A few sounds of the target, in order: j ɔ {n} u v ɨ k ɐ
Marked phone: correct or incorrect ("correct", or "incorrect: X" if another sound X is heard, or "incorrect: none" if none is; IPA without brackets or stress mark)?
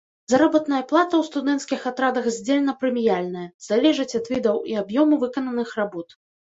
incorrect: m